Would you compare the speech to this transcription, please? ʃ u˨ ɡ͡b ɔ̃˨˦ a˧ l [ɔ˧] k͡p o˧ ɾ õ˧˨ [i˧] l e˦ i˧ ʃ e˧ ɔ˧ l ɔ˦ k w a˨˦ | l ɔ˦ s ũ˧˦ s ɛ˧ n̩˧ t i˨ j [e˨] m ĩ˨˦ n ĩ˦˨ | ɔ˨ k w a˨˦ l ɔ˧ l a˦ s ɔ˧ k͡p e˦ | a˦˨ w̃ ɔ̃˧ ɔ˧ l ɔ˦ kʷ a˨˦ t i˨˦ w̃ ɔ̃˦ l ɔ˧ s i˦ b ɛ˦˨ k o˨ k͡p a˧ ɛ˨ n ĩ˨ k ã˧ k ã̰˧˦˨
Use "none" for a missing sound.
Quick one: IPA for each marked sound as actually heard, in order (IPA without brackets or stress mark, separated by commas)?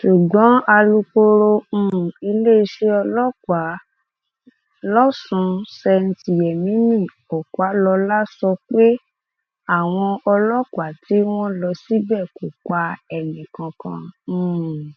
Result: u˧, i˧, ɛ˨